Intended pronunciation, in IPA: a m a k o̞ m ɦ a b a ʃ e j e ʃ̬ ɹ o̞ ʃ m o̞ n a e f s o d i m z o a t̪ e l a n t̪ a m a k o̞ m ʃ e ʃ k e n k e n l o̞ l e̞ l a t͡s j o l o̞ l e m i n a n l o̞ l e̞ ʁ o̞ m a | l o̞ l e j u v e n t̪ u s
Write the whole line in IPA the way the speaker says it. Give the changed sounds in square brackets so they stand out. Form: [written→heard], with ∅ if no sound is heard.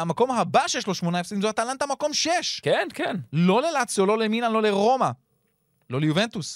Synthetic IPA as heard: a m a k o̞ m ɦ a b a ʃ e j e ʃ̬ [ɹ→l] o̞ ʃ m o̞ n a e f s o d i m z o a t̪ [e→a] l a n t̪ a m a k o̞ m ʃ e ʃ k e n k e n l o̞ l e̞ l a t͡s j o l o̞ l e m i n a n l o̞ l e̞ ʁ o̞ m a | l o̞ l e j u v e n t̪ u s